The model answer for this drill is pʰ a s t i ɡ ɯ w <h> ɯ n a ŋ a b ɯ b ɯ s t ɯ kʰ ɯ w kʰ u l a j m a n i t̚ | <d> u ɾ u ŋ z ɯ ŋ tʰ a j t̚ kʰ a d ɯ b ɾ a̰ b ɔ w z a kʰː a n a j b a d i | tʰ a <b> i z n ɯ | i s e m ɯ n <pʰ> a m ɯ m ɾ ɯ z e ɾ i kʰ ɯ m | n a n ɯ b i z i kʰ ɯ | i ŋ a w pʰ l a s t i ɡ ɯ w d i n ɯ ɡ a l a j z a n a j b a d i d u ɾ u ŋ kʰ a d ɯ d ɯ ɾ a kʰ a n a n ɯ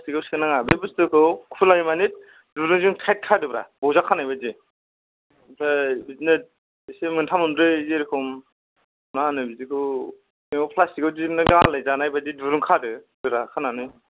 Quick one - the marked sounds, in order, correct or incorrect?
incorrect: s, correct, correct, incorrect: tʰ

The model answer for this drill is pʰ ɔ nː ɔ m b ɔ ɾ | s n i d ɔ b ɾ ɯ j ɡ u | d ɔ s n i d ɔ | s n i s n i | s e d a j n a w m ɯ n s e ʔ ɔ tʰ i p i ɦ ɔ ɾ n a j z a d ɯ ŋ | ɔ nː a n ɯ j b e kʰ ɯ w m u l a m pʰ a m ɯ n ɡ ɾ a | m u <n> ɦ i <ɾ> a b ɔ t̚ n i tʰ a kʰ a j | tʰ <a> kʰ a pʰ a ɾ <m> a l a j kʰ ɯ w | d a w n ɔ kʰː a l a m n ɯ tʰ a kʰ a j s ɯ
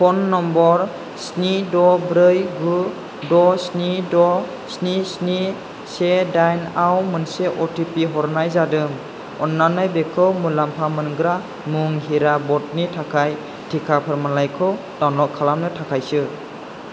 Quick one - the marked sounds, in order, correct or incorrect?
incorrect: ŋ, correct, incorrect: i, correct

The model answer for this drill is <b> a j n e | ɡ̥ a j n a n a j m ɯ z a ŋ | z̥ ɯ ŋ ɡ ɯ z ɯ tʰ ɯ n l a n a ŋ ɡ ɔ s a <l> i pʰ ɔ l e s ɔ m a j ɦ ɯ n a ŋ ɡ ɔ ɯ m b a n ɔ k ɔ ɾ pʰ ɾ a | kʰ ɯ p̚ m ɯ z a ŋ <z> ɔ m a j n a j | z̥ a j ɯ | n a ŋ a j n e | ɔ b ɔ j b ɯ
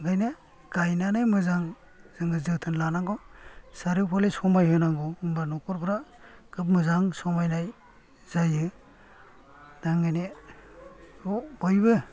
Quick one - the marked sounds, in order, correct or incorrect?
incorrect: ɡ, incorrect: ɾ, incorrect: s

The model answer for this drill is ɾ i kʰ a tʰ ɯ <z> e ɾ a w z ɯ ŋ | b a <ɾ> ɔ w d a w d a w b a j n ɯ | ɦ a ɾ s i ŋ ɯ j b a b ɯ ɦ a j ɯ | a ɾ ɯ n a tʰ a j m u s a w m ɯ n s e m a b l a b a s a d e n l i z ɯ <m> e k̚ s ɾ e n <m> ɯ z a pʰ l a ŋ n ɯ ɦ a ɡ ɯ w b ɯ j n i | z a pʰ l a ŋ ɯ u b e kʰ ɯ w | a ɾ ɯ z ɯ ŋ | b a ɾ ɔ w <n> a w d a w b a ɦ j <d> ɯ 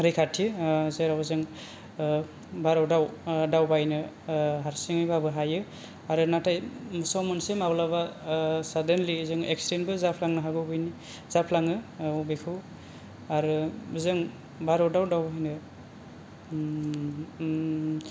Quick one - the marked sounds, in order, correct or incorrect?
correct, correct, incorrect: ŋ, incorrect: b, incorrect: d, incorrect: n

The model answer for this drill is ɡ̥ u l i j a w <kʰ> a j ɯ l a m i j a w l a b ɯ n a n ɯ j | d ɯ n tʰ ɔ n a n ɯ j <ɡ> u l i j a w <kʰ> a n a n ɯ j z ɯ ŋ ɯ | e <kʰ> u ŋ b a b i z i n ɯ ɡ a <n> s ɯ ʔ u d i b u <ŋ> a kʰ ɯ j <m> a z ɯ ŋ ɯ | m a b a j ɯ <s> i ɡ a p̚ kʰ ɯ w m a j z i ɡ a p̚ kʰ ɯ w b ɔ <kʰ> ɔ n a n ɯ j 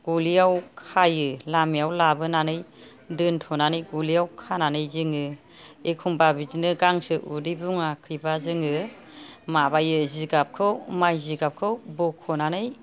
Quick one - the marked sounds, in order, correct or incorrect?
correct, correct, correct, correct, incorrect: ŋ, correct, incorrect: b, incorrect: z, correct

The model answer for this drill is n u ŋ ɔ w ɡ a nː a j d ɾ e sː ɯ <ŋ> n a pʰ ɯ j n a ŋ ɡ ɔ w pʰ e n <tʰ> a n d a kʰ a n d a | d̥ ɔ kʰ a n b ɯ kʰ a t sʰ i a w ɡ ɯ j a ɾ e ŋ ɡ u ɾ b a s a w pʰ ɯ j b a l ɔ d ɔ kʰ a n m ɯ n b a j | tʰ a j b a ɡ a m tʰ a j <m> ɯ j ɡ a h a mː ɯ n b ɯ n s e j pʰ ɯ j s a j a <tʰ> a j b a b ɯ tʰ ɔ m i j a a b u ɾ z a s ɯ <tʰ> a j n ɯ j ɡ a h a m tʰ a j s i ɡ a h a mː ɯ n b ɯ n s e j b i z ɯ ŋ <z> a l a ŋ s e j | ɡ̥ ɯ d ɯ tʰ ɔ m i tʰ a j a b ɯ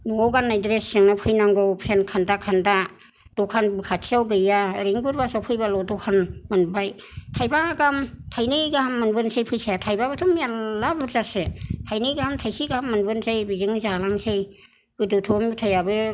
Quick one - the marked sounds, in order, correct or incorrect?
correct, incorrect: kʰ, incorrect: n, correct, correct, correct

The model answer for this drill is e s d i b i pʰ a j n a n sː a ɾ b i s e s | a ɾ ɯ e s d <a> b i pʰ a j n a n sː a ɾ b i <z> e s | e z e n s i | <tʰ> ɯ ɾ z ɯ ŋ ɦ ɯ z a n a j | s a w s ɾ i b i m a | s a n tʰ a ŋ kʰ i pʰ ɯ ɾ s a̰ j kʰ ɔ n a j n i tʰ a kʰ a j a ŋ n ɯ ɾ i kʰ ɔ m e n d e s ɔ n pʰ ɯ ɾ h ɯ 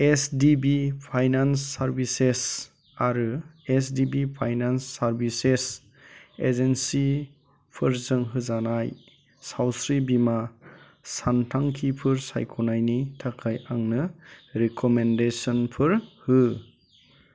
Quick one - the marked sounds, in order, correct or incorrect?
incorrect: i, incorrect: s, incorrect: pʰ

